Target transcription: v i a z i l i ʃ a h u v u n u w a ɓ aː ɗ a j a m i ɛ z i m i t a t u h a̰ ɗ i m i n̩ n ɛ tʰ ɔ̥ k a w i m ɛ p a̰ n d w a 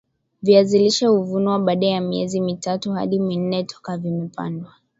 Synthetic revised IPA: v i a z i l i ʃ a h u v u n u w a ɓ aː ɗ a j a m i ɛ z i m i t a t u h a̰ ɗ i m i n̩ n ɛ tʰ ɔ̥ k a v i m ɛ p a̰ n d w a